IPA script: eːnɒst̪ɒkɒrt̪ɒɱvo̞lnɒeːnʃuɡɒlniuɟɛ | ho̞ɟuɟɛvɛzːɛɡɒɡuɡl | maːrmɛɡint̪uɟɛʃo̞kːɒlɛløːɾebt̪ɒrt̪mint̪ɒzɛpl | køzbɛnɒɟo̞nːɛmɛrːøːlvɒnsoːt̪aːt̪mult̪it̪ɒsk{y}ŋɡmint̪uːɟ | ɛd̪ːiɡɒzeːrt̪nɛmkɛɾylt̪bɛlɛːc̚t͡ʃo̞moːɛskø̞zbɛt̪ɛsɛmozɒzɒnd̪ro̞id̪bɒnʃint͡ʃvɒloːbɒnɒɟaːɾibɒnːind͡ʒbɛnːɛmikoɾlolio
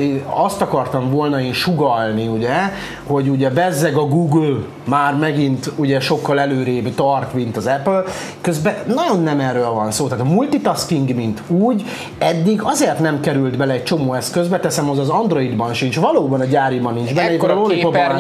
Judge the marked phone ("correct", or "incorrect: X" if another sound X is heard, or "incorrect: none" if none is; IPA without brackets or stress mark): incorrect: i